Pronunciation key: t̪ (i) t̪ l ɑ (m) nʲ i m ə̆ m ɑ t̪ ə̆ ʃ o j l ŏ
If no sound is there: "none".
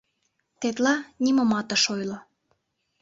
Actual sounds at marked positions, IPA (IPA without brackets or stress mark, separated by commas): e, none